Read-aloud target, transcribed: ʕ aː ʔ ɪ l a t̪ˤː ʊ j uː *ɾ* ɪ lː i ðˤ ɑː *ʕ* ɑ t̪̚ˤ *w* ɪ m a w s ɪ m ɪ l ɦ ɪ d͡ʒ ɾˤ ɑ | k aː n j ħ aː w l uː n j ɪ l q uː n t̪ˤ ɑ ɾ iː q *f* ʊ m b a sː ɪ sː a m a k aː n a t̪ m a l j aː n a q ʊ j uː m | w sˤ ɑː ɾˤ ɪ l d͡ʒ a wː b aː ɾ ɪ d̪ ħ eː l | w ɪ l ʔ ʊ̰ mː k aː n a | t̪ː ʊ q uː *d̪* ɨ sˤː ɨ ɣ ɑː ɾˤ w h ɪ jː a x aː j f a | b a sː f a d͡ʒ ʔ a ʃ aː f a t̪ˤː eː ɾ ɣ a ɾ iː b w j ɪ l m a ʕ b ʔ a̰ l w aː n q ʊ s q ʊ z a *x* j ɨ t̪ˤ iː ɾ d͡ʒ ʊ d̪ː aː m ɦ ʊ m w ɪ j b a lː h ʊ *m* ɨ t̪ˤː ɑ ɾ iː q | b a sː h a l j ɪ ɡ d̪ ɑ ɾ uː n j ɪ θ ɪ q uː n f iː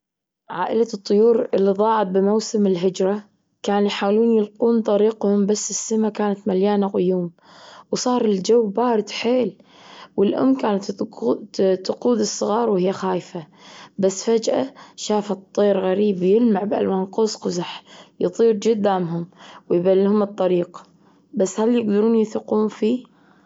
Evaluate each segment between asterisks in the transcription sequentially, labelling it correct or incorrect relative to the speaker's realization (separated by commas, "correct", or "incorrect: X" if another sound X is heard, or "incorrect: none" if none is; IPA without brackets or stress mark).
correct, correct, incorrect: b, incorrect: h, correct, incorrect: ħ, correct